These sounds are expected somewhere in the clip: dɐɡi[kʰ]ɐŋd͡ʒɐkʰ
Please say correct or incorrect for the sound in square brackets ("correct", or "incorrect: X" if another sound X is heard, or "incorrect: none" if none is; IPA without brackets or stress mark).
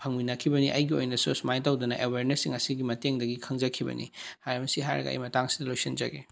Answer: correct